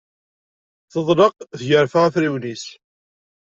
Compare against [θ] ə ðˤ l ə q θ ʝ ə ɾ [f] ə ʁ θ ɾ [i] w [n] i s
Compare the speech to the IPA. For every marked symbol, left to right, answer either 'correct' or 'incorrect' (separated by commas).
correct, correct, correct, correct